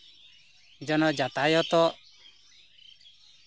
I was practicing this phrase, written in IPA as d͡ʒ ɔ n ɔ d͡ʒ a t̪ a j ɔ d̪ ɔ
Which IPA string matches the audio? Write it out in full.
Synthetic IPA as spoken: d͡ʒ ɔ n ɔ d͡ʒ a t̪ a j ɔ t̪ ɔ